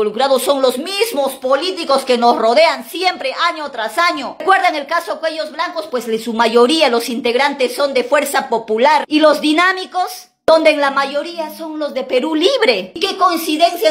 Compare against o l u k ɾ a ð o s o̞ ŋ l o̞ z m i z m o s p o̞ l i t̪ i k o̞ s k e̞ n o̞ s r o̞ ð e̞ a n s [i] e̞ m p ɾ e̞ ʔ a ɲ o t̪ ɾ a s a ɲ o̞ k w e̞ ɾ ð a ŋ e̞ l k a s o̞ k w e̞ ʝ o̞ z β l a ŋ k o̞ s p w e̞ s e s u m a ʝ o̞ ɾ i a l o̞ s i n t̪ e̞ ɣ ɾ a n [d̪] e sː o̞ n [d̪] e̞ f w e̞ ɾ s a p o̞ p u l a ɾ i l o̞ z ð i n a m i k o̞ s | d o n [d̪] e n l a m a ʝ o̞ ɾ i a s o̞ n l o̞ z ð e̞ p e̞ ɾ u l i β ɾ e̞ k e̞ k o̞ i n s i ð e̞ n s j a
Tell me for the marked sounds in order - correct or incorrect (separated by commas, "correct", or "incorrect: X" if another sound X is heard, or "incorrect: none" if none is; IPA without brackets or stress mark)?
incorrect: j, incorrect: t̪, correct, correct